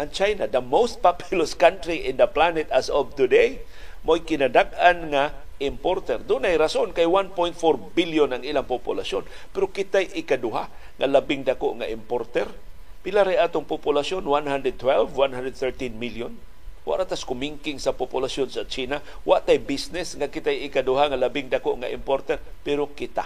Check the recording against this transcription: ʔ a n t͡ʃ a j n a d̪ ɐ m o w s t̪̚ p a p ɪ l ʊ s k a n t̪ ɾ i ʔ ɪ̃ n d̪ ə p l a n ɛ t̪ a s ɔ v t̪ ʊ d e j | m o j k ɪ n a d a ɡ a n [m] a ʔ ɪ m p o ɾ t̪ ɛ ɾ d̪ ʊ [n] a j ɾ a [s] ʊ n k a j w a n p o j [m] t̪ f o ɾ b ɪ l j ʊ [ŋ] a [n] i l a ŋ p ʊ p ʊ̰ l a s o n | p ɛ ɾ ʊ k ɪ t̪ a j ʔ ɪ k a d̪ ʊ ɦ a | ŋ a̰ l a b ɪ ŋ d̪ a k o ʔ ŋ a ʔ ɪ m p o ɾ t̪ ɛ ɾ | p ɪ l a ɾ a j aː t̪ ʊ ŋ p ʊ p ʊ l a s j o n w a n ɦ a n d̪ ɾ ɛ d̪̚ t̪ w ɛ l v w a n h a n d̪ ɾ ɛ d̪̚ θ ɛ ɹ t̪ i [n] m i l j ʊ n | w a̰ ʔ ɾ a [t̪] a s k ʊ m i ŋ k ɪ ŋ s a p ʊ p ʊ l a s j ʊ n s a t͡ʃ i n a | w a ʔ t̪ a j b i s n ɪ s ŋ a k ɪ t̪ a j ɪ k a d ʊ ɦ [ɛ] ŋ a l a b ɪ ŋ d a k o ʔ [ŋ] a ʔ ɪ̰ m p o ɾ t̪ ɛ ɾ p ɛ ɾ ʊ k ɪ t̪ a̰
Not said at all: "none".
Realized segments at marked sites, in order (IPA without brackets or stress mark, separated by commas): ŋ, n, s, n, n, ŋ, n, t̪, a, ŋ